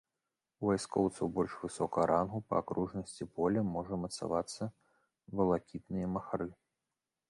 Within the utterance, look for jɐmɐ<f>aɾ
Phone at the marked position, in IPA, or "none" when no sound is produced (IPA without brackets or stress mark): x